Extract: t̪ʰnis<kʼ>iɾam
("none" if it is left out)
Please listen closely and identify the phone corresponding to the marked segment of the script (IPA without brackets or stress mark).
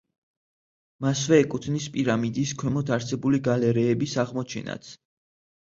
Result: pʼ